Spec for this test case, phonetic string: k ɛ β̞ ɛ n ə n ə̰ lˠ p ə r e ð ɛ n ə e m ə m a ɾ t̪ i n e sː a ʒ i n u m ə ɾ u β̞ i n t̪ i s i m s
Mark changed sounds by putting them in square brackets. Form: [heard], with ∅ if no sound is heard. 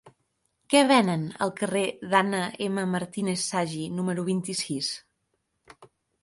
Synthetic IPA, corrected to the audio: k ɛ β̞ ɛ n ə n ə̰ lˠ [k] ə r e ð [a] n ə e m ə m [ə] ɾ t̪ i n e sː a ʒ i n u m ə ɾ u β̞ i n t̪ i s i [∅] s